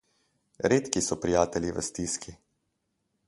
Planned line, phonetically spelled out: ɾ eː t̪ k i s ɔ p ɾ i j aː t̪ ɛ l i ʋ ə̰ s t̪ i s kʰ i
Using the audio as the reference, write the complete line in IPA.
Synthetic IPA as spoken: ɾ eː t̪ k i s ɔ p ɾ i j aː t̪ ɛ l i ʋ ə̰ s t̪ i s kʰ i

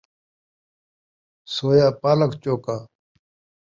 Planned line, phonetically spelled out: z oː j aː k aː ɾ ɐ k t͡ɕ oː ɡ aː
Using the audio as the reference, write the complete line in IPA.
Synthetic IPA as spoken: s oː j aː p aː l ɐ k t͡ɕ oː k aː

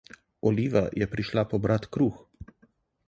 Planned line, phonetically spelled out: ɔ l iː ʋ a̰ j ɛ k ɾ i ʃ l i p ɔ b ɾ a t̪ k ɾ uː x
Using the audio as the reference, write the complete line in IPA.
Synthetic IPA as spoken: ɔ l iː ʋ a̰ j ɛ p ɾ i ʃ l a p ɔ b ɾ a t̪ k ɾ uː x

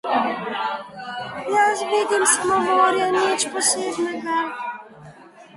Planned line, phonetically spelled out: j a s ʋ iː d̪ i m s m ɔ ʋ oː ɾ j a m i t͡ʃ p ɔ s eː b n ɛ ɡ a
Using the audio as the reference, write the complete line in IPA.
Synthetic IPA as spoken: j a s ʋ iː d̪ i m s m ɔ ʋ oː ɾ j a n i t͡ʃ p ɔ s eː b n ɛ ɡ a

